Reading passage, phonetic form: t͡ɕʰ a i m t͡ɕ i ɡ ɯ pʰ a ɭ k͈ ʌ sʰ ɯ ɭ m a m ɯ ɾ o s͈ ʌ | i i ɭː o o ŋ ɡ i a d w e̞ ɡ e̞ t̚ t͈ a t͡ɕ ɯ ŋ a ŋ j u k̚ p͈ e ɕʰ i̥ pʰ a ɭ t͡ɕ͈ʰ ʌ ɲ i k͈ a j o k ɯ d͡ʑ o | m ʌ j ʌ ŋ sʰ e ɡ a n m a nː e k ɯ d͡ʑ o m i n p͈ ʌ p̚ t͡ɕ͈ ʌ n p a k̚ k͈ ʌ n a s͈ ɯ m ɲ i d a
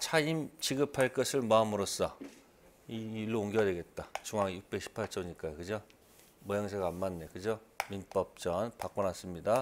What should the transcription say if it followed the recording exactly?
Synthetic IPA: t͡ɕʰ a i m t͡ɕ i ɡ ɯ pʰ a ɭ k͈ ʌ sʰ ɯ ɭ m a m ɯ ɾ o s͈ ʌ | i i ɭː o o ŋ ɡ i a d w e̞ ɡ e̞ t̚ t͈ a t͡ɕ u ŋ a ŋ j u k̚ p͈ e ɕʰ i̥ pʰ a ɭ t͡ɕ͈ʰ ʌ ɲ i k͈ a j o k ɯ d͡ʑ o | m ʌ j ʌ ŋ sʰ e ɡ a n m a nː e k ɯ d͡ʑ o m i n p͈ ʌ p̚ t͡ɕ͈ ʌ n p a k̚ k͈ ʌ n a s͈ ɯ m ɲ i d a